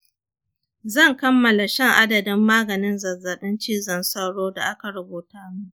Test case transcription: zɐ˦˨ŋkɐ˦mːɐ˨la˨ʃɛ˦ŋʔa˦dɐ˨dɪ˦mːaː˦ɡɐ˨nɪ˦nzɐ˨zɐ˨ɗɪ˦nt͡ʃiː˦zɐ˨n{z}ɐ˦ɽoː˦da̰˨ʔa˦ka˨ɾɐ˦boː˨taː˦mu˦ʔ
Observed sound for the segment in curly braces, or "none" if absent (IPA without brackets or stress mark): s